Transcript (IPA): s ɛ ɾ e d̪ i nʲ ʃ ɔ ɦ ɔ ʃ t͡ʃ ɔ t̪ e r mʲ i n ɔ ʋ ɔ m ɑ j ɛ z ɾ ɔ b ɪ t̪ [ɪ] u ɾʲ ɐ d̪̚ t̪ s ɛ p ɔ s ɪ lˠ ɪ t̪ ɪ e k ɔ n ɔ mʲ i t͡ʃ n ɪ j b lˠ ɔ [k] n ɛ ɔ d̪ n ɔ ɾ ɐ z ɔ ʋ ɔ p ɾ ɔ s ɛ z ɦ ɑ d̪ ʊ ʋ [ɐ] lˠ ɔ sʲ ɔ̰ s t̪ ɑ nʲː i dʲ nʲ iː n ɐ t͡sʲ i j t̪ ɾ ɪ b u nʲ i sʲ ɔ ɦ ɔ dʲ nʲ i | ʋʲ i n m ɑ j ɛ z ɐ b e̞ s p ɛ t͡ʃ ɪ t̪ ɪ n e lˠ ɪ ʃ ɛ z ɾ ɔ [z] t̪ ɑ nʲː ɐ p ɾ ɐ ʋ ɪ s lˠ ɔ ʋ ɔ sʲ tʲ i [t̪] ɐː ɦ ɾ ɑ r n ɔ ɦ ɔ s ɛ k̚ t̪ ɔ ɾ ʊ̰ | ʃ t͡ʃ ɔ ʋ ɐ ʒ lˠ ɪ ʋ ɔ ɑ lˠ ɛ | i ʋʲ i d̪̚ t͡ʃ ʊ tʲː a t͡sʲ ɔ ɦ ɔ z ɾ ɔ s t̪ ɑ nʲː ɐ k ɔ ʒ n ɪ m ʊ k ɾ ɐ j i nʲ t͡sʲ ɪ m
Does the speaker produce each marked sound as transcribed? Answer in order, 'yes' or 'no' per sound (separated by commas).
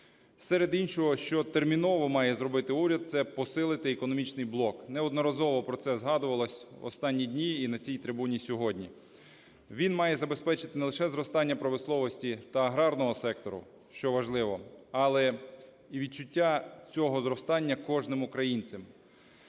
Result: yes, yes, yes, no, yes